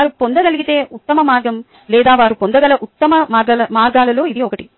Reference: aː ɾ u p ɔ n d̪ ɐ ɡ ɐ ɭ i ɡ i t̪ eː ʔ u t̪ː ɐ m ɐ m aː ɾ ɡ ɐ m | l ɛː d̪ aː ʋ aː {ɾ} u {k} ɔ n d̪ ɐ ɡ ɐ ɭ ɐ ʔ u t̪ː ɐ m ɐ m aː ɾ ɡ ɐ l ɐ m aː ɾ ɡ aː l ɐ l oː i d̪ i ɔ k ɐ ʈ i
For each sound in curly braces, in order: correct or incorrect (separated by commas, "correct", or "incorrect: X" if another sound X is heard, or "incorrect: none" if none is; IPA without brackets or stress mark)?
correct, incorrect: p